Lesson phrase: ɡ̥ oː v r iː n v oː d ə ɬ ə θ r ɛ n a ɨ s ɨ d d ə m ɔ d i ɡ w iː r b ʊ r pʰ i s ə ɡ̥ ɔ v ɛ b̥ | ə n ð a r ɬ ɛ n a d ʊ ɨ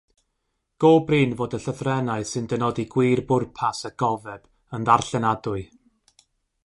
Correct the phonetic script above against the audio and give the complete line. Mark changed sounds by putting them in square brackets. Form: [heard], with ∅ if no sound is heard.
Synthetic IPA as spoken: ɡ̥ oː [b] r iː n v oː d ə ɬ ə θ r ɛ n a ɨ s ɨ [n] d ə [n] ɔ d i ɡ w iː r b ʊ r pʰ [a] s ə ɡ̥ ɔ v ɛ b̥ | ə n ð a r ɬ ɛ n a d ʊ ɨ